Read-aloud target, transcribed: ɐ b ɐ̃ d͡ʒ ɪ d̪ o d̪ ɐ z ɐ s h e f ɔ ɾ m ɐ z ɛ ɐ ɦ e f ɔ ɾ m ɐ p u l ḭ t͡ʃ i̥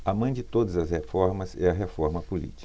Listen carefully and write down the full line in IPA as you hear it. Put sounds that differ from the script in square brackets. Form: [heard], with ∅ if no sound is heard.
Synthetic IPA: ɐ [m] ɐ̃ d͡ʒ ɪ [t̪] o d̪ ɐ z ɐ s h e f ɔ ɾ m ɐ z ɛ ɐ ɦ e f ɔ ɾ m ɐ p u l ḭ t͡ʃ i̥